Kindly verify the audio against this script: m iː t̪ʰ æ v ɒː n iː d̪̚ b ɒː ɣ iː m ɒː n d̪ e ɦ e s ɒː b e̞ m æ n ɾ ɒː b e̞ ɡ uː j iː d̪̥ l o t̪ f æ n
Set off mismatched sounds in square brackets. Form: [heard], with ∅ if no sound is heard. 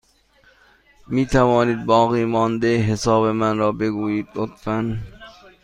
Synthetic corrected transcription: m iː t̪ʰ æ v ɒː n iː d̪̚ b ɒː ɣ iː m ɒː n d̪ e ɦ e s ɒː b e̞ m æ n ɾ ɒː b e̞ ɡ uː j iː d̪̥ l o t̪ f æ n